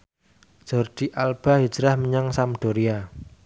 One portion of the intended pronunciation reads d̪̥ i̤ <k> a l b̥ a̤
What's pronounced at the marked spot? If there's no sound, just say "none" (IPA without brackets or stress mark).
ʔ